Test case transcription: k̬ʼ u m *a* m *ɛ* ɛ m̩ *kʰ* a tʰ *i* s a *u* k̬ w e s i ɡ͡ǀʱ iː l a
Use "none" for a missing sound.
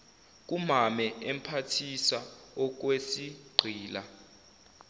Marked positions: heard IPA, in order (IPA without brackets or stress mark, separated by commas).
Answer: a, ɛ, pʰ, i, ɔ